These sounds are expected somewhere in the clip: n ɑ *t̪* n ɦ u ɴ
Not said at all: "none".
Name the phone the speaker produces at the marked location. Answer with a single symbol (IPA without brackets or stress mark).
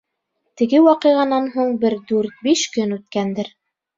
none